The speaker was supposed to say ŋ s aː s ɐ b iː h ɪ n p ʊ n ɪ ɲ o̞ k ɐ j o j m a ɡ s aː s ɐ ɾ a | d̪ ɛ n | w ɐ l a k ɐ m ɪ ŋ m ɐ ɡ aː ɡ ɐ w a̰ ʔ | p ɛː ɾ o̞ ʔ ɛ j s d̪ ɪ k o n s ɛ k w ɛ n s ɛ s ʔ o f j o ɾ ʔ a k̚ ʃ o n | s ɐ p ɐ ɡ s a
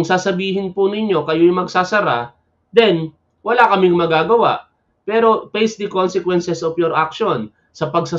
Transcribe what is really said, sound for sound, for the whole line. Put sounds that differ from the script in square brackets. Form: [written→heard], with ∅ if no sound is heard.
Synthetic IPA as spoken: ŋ s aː s ɐ b iː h ɪ n p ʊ n ɪ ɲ o̞ k ɐ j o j m [a→ɐ] ɡ s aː s ɐ ɾ a | d̪ ɛ n | w ɐ l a k ɐ m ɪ ŋ m ɐ ɡ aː ɡ ɐ w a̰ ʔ | p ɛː ɾ o̞ [ʔ→p] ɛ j s d̪ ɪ k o n s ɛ k w ɛ n s ɛ s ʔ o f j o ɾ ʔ a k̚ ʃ o n | s ɐ p ɐ ɡ s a

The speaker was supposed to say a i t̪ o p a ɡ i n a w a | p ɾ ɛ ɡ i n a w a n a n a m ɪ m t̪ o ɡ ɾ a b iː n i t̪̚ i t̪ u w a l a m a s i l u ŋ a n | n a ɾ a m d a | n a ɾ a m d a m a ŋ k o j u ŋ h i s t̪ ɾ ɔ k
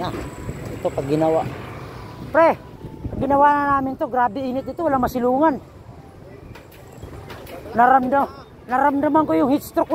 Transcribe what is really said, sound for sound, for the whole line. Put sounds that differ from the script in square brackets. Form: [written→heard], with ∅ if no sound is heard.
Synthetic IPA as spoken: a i t̪ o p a ɡ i n a w a | p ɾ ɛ ɡ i n a w a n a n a m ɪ [m→n] t̪ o ɡ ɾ a b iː n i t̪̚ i t̪ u w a l a m a s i l u ŋ a n | n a ɾ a m d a | n a ɾ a m d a m a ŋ k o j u ŋ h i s t̪ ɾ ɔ k

